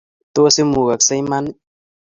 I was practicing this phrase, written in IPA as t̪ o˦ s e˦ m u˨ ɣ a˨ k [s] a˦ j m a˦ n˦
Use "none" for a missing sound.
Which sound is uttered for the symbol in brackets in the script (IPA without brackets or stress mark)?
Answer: s